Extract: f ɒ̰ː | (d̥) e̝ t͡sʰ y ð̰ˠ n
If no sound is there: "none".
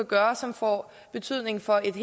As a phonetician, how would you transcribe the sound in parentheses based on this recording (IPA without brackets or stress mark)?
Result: b̥